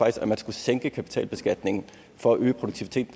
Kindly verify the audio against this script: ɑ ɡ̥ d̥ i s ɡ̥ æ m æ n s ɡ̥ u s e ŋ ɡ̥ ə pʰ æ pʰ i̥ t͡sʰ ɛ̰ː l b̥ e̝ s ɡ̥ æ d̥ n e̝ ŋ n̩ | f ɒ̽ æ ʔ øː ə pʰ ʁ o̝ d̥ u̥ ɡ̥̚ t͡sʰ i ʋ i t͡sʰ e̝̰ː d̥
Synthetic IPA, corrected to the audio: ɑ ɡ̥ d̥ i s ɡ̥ æ m æ n s ɡ̥ u s e ŋ ɡ̥ ə kʰ æ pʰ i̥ t͡sʰ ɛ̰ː l b̥ e̝ s ɡ̥ æ d̥ n e̝ ŋ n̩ | f ɒ̽ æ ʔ øː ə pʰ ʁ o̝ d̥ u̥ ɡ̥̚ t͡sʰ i ʋ i t͡sʰ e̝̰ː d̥